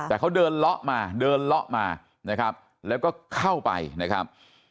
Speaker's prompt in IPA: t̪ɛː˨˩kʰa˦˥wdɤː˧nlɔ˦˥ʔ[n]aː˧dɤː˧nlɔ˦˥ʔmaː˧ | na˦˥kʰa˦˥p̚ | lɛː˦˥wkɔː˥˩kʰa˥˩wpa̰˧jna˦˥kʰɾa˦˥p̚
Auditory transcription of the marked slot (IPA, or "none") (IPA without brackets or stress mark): m